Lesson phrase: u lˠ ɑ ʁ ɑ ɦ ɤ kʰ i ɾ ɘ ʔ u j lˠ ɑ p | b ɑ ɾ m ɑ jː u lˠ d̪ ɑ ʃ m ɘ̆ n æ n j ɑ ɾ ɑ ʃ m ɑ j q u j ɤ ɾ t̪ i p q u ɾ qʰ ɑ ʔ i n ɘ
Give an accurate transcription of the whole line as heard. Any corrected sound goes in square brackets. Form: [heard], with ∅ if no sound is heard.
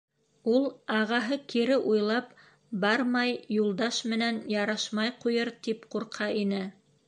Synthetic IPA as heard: u lˠ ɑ ʁ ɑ ɦ ɤ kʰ i ɾ ɘ ʔ u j lˠ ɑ p | b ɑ ɾ m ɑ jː u lˠ d̪ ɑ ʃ m ɘ̆ n æ n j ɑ ɾ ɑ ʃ m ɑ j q u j ɤ ɾ t̪ i p q u ɾ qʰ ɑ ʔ i n ɘ